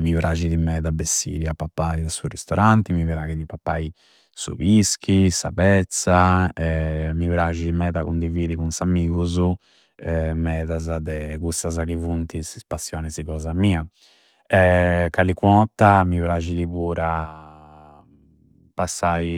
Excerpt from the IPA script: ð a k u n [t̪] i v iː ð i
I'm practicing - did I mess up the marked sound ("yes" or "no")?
yes